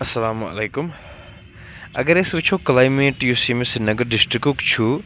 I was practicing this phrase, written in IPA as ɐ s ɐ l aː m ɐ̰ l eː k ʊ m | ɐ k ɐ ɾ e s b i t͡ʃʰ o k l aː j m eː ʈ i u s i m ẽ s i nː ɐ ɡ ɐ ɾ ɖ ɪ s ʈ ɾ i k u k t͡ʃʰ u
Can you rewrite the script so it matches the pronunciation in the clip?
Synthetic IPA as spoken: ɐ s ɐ l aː m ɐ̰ l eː k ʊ m | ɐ ɡ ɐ ɾ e s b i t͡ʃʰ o k l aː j m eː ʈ j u s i m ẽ s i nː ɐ ɡ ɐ ɾ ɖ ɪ s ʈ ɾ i k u k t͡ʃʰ u